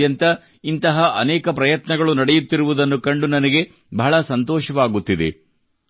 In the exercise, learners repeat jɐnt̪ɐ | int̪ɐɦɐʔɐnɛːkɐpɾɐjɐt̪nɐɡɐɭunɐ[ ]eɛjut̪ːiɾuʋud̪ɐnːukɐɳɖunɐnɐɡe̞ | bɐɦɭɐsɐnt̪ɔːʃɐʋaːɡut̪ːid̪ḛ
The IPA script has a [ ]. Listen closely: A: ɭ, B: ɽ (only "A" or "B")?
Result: B